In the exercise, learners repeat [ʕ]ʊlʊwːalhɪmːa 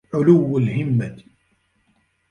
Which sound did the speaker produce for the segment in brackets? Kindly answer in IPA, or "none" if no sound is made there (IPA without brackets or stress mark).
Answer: ʕ